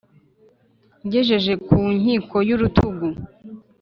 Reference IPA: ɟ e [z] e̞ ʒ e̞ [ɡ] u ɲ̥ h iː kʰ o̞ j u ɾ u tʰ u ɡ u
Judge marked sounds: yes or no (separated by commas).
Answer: no, no